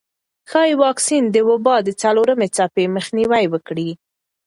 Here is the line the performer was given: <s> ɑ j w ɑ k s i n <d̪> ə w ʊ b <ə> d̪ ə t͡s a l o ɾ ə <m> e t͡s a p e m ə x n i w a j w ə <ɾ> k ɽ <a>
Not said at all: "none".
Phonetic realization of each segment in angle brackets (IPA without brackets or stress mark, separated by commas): x, d̪, ɑ, m, none, i